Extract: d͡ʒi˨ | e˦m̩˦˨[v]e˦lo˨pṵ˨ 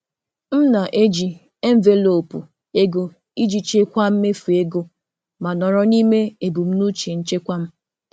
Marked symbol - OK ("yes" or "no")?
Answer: yes